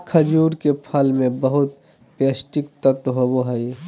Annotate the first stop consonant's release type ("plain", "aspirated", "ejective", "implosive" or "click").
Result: aspirated